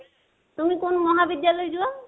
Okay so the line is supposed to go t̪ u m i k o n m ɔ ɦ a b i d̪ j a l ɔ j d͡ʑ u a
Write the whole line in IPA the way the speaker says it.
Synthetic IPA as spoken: t̪ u m i k o n m ɔ ɦ a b i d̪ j a l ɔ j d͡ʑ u a